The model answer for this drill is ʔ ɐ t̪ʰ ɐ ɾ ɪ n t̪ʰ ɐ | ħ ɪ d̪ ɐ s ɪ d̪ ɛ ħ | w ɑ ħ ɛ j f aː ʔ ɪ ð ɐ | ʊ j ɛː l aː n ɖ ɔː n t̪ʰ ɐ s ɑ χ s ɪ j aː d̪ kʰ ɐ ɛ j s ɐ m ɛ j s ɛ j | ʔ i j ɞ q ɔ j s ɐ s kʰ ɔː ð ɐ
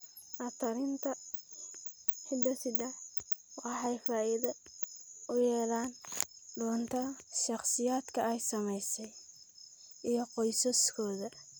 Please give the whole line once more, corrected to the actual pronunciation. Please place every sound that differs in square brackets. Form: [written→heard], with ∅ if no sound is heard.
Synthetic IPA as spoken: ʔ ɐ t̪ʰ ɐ ɾ ɪ n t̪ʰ ɐ | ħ ɪ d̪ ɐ s ɪ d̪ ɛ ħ | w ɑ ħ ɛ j f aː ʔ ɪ ð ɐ | ʊ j ɛː l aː n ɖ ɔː n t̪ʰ ɐ [s→ʃ] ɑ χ s ɪ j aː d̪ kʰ ɐ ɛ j s ɐ m ɛ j s ɛ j | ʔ i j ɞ q ɔ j s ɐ s kʰ ɔː ð ɐ